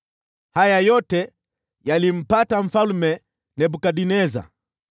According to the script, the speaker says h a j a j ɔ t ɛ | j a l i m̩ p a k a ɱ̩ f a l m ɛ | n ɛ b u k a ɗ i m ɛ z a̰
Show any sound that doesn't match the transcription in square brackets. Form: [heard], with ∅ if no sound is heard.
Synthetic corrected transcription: h a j a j ɔ t ɛ | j a l i m̩ p a [t] a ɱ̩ f a l m ɛ | n ɛ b u k a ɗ i [n] ɛ z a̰

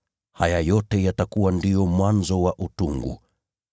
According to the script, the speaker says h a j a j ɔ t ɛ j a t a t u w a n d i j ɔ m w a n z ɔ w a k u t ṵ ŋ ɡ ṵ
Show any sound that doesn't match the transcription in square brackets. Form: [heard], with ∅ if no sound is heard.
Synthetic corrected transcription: h a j a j ɔ t ɛ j a t a [k] u w a n d i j ɔ m w a n z ɔ w a [ʔ] u t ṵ ŋ ɡ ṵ

